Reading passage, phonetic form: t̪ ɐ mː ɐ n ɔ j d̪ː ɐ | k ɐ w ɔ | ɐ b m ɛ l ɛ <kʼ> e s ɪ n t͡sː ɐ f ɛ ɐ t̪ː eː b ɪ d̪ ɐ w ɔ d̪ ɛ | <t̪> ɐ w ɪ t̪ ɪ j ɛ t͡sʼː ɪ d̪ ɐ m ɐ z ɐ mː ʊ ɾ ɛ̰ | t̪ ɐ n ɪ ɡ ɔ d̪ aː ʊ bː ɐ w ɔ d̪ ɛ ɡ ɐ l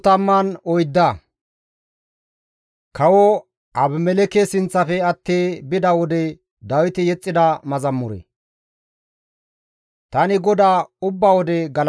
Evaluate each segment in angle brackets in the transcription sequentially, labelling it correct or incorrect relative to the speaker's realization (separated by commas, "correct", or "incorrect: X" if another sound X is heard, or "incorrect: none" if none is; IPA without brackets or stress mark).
incorrect: k, incorrect: d̪